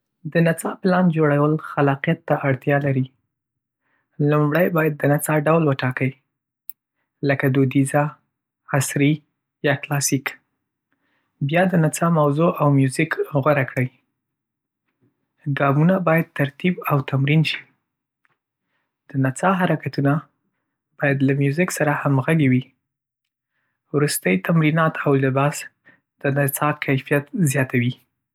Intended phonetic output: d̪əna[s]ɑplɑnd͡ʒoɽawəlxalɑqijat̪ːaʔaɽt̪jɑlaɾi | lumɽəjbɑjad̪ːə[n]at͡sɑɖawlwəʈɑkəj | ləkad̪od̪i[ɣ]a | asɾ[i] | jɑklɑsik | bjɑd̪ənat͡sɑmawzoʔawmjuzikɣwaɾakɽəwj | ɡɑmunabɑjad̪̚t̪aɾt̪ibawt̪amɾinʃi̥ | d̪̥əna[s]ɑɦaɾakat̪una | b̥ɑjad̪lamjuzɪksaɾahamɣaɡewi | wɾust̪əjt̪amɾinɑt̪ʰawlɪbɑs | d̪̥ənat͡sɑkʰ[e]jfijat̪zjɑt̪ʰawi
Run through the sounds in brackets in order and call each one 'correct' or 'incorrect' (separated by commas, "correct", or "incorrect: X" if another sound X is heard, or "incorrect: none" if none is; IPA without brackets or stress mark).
incorrect: t͡s, correct, incorrect: z, correct, incorrect: t͡s, incorrect: a